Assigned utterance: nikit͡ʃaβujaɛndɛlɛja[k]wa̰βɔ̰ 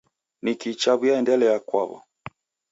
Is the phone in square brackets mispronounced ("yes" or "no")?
no